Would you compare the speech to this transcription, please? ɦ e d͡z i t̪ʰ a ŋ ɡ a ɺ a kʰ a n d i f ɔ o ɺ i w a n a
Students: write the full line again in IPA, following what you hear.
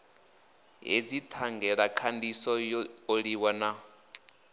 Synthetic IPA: ɦ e d͡z i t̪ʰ a ŋ ɡ ɛ ɺ a kʰ a n d i s ɔ o ɺ i w a n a